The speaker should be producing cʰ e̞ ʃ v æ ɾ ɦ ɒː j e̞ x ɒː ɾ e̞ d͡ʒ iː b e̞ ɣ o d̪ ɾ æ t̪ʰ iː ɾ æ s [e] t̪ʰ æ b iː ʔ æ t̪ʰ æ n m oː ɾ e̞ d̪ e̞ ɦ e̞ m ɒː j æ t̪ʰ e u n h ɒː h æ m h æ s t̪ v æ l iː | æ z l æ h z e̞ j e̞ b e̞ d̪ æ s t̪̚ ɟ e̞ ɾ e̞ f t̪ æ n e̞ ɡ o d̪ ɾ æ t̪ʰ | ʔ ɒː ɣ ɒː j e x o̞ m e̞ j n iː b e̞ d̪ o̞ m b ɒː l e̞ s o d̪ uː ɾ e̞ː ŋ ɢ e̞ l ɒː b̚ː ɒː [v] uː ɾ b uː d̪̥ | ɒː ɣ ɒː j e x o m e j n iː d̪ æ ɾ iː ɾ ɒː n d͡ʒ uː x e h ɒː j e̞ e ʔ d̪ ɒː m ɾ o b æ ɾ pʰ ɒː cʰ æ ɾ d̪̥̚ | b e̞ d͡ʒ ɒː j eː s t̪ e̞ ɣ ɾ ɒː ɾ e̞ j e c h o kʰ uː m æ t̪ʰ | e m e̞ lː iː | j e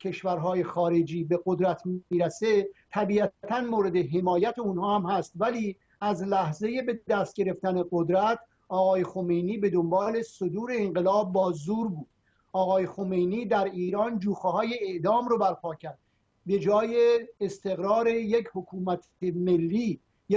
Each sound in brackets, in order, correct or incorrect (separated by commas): correct, incorrect